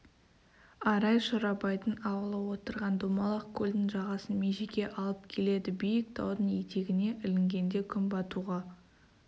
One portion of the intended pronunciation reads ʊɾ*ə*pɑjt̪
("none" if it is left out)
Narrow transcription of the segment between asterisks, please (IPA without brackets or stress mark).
ɑ